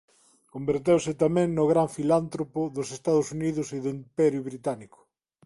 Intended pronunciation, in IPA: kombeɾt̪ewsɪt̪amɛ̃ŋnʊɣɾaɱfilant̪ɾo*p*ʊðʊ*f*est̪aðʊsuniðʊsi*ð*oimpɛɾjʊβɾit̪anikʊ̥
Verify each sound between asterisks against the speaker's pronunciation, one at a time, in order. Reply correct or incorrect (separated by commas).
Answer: correct, incorrect, correct